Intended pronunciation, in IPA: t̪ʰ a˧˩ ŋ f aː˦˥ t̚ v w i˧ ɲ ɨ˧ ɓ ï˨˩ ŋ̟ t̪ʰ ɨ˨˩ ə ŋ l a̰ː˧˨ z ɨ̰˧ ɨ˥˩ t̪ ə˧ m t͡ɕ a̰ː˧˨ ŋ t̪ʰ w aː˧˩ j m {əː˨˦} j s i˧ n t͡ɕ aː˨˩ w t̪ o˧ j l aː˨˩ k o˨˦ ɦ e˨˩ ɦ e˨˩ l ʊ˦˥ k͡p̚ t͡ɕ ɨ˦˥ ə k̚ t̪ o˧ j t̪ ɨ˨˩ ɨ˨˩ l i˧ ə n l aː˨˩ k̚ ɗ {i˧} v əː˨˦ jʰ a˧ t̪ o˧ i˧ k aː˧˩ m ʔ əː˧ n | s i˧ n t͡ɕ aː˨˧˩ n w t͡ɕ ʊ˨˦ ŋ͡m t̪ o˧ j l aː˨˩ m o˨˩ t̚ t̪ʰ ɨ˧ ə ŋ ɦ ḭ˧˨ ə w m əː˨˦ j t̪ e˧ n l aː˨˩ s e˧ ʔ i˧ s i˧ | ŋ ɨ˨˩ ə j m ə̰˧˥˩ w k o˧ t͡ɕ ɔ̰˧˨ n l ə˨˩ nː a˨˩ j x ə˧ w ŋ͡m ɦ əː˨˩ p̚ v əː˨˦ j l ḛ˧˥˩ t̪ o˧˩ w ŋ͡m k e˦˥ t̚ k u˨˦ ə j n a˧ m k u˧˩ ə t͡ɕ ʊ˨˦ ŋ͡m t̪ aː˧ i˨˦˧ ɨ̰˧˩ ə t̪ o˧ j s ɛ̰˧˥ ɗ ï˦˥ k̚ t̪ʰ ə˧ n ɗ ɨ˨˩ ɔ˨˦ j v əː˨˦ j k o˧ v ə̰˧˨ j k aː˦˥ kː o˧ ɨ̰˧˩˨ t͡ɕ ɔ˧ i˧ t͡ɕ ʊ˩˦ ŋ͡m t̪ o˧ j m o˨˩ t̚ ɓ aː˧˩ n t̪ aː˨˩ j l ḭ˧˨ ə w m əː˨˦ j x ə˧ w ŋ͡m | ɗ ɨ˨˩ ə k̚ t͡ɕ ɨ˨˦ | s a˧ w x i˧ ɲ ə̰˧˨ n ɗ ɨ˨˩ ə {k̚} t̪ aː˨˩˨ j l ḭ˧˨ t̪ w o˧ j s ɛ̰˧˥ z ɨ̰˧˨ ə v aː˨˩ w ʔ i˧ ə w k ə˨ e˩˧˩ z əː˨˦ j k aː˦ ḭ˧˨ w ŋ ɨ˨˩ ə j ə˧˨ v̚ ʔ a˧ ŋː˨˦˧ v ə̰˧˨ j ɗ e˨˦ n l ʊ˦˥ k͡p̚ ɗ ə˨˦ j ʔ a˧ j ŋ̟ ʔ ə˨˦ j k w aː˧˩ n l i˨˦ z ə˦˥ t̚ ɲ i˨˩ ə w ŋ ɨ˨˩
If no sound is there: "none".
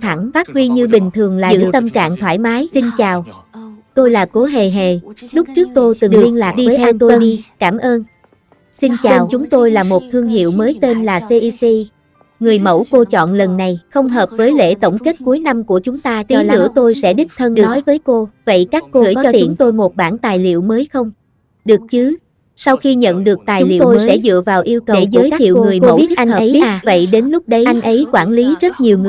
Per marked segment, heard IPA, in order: aː˨˦, i˧, k̚

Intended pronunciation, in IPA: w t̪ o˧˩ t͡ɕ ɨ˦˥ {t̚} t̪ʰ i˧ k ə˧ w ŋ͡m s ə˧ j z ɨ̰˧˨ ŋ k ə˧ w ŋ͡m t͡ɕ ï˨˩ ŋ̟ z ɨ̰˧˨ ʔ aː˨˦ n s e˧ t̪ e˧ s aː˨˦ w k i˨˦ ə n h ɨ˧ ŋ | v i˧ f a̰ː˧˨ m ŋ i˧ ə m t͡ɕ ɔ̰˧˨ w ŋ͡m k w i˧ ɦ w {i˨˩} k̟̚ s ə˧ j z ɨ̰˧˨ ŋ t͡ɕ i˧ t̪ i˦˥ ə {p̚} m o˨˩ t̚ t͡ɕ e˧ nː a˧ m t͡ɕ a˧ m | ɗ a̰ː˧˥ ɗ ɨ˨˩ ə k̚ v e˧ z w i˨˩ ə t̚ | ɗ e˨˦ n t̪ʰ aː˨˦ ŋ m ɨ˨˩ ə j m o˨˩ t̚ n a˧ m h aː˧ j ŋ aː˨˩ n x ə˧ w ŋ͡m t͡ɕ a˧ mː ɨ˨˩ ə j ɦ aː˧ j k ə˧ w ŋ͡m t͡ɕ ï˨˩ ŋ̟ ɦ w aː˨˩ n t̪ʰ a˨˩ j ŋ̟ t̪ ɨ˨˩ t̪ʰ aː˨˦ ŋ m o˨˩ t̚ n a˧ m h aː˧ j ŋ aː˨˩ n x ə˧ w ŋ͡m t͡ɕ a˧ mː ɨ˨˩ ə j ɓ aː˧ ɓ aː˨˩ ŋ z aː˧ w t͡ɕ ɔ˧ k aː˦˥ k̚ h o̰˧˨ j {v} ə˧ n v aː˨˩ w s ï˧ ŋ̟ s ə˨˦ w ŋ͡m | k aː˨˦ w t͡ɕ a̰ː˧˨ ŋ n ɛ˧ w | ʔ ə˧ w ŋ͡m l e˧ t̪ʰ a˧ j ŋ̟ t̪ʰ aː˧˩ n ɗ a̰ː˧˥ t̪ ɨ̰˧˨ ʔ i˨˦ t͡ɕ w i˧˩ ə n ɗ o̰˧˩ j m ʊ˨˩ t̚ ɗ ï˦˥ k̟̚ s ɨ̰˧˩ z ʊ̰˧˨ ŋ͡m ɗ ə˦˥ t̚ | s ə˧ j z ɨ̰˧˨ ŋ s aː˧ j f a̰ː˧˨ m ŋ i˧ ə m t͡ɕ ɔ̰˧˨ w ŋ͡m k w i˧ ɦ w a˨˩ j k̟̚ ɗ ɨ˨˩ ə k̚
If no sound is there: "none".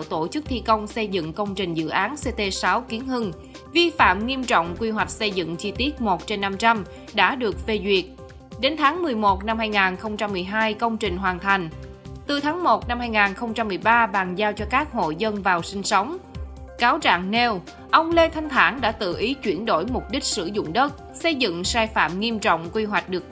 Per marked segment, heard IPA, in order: k̚, a˨˩, t̚, z

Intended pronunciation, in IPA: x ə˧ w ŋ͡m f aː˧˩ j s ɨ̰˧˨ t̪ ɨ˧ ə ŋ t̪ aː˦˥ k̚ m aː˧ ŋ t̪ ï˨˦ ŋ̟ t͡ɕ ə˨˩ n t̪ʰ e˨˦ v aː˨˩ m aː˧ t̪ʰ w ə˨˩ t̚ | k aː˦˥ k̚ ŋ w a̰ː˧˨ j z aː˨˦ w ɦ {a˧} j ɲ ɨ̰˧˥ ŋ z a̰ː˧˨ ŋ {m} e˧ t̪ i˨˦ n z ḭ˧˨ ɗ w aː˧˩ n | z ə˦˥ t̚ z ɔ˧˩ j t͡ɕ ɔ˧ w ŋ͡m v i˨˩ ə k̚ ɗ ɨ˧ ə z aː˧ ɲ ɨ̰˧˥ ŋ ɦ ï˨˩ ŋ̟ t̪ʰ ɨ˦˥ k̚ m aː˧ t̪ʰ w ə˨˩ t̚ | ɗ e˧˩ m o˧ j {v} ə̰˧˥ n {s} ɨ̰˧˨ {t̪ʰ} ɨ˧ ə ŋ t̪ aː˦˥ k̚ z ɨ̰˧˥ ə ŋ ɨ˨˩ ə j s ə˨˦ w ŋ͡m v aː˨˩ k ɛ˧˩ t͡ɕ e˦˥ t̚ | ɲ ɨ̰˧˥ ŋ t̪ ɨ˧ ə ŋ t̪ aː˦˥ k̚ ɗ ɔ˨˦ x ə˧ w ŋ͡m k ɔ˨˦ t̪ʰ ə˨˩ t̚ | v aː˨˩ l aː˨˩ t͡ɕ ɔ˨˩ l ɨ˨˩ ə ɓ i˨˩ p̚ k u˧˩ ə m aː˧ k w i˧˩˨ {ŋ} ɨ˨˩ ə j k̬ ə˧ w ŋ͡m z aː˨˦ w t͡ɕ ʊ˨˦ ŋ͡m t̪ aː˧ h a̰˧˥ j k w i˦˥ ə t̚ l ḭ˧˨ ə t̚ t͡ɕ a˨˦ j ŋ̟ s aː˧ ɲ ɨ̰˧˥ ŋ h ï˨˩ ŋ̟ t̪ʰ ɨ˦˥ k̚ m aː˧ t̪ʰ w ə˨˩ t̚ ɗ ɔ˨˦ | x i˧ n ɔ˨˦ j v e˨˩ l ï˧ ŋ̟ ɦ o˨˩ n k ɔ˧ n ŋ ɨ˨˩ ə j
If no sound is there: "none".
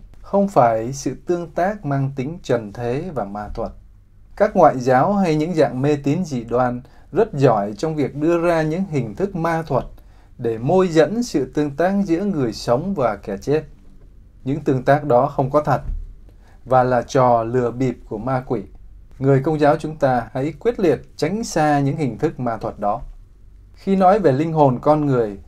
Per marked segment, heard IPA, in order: a˧, m, z, s, t̪, ŋ

